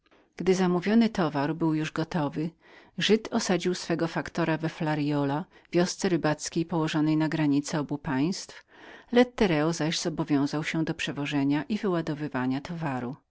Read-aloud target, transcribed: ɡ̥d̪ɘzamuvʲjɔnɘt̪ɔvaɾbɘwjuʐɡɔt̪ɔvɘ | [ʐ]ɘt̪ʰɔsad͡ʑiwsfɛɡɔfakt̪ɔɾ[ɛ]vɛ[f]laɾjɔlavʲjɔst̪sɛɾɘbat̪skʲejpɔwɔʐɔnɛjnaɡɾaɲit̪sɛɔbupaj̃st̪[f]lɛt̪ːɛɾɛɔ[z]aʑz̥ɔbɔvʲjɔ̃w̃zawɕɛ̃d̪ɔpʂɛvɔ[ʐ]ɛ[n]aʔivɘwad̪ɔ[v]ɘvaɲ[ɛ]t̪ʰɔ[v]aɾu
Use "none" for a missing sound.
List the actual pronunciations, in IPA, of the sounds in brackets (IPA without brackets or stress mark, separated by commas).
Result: ʐ, a, f, f, z, ʐ, ɲ, v, a, v